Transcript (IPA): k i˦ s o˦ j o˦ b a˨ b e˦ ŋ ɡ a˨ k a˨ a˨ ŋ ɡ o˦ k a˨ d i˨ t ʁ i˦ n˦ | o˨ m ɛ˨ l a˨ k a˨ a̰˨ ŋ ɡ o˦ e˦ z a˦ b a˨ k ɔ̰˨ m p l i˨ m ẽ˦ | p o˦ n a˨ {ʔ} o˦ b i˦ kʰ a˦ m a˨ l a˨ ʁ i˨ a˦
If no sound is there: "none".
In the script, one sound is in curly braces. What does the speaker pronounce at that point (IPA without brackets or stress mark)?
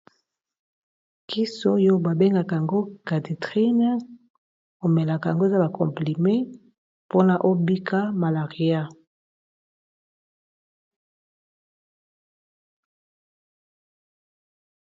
ʔ